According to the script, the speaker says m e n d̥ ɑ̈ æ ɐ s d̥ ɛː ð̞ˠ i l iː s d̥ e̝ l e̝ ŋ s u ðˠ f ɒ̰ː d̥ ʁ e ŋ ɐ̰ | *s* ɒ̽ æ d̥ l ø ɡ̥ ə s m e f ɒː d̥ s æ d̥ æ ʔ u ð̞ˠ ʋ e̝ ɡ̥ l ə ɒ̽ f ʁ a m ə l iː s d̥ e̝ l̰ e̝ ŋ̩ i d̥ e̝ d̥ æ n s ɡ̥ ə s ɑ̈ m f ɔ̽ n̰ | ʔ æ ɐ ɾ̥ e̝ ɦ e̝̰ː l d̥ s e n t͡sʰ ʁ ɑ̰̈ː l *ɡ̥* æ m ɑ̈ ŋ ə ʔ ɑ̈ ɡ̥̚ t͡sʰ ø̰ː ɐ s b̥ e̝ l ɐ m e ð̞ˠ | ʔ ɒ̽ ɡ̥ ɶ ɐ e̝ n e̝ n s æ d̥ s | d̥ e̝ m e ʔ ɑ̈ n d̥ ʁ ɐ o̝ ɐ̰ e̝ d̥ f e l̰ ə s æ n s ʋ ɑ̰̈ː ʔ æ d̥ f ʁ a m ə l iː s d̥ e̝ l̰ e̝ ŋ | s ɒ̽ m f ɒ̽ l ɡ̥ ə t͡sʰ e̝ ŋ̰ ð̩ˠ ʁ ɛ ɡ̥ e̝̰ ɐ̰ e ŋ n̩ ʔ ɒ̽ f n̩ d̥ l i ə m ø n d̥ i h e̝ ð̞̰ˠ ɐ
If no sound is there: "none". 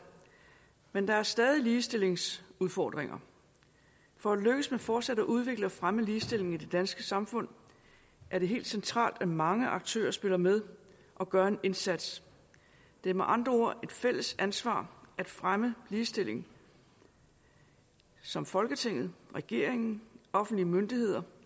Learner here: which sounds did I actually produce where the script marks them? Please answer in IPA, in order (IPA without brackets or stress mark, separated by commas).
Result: f, d̥